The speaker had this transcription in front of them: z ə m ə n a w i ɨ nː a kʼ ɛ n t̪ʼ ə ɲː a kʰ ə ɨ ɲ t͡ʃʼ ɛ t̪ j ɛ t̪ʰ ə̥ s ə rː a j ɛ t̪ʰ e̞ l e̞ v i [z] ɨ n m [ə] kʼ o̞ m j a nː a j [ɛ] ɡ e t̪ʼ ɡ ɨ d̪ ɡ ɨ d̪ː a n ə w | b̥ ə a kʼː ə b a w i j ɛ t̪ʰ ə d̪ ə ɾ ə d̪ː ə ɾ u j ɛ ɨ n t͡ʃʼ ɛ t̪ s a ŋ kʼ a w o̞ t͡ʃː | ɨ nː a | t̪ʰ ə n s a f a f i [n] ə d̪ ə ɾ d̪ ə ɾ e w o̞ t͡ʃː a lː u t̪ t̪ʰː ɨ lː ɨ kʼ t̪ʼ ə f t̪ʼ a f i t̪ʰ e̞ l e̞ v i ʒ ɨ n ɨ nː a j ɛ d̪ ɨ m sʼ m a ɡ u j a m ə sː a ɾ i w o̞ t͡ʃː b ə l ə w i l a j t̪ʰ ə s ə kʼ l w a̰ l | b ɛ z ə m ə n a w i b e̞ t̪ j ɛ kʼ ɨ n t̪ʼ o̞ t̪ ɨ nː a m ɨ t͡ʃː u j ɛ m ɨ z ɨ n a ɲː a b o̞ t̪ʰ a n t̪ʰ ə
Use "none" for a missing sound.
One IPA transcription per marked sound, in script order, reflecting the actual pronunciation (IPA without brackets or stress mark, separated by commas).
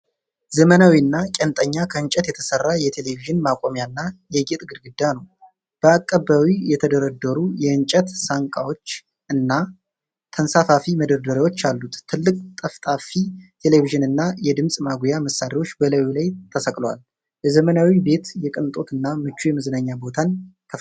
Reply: ʒ, a, ɛ, m